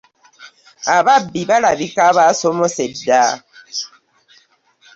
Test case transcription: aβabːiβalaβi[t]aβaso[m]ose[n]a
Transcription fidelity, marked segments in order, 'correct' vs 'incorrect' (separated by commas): incorrect, correct, incorrect